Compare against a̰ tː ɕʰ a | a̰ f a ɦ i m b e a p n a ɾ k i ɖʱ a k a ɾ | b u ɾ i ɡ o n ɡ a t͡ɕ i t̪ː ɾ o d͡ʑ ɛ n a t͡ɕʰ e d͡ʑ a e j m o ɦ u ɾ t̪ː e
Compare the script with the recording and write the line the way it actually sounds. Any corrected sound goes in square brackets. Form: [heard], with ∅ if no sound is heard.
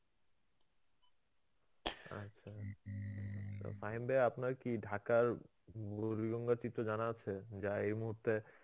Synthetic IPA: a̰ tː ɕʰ a | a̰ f a ɦ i m b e a p n a ɾ k i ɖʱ a k a ɾ | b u ɾ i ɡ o [ŋ] ɡ a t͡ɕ i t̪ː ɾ o d͡ʑ [a] n a t͡ɕʰ e d͡ʑ a e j m [u] ɦ u ɾ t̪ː e